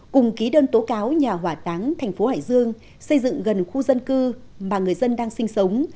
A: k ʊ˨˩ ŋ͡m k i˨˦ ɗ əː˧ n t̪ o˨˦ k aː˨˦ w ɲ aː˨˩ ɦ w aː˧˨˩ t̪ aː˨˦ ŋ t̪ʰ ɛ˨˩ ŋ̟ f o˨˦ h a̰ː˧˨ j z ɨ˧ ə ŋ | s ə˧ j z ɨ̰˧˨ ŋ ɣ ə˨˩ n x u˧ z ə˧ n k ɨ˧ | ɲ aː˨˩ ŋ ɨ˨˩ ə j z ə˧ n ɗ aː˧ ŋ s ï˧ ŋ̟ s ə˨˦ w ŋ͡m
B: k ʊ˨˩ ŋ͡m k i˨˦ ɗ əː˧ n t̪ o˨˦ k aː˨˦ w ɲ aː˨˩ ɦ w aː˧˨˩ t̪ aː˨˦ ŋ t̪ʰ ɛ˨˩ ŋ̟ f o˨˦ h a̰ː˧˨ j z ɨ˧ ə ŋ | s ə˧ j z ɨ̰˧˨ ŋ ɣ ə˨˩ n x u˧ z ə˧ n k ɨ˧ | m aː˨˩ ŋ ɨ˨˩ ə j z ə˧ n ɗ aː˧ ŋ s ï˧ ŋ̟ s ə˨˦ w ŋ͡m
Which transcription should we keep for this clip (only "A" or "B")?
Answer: B